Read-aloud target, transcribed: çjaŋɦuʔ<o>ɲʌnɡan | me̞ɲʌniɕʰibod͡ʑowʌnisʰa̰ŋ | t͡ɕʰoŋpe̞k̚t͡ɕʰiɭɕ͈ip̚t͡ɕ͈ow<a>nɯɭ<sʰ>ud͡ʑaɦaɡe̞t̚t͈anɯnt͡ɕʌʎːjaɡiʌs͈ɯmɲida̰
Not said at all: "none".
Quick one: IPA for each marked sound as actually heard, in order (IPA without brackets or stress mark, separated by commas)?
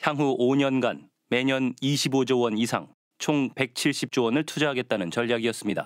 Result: o, ʌ, tʰ